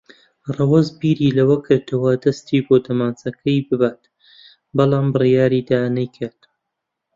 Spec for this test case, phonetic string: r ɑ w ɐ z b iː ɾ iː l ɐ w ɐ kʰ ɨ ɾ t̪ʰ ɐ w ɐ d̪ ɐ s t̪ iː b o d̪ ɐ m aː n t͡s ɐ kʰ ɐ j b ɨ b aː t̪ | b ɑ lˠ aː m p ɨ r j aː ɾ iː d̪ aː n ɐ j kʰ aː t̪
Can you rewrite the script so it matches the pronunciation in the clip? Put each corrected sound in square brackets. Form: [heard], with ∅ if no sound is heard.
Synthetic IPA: r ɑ w ɐ z b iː ɾ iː l ɐ w ɐ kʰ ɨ ɾ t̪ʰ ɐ w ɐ d̪ ɐ s t̪ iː b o d̪ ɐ m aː n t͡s ɐ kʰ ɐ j b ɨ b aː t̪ | b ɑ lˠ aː m [b] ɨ r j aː ɾ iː d̪ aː n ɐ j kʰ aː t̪